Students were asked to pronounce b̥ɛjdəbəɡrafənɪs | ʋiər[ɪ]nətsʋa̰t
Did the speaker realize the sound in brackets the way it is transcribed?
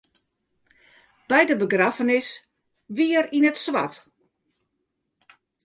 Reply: no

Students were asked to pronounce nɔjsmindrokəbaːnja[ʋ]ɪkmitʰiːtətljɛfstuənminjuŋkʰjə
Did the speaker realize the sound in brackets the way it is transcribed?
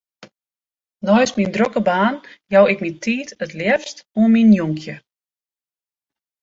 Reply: no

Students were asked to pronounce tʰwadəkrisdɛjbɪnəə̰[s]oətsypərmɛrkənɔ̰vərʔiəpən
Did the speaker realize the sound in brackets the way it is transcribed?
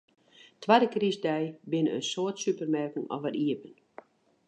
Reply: yes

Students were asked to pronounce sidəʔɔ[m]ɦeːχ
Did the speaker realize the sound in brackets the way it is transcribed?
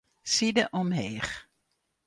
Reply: yes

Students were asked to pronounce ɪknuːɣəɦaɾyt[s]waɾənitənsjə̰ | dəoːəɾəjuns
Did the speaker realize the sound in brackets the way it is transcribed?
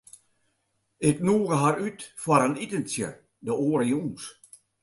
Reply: no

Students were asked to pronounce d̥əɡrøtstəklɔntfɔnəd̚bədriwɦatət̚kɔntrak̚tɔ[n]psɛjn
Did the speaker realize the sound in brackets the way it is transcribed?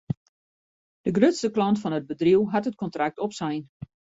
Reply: no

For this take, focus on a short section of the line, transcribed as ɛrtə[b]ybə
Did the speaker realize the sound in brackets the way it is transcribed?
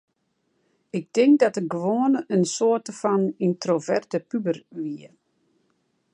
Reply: no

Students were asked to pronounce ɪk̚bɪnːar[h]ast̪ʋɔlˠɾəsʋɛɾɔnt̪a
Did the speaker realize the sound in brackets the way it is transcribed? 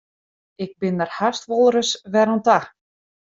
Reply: yes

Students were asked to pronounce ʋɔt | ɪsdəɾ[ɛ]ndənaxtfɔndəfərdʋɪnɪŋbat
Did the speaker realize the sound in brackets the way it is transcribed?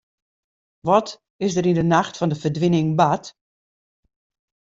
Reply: no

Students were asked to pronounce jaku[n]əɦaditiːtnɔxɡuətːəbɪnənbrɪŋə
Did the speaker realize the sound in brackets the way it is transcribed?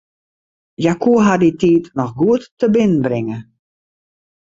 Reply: no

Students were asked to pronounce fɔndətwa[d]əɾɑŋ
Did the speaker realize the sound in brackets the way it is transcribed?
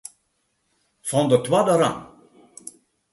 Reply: yes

